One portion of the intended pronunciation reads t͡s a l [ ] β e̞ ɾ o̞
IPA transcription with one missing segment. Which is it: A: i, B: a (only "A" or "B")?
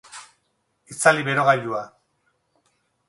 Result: A